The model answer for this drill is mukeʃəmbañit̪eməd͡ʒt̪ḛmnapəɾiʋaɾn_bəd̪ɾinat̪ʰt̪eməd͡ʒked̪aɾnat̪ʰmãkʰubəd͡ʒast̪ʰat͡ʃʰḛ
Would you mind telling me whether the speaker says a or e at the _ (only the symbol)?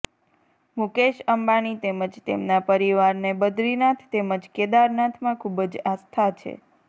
e